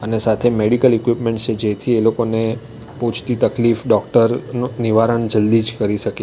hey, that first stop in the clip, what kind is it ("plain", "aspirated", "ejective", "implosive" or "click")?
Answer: aspirated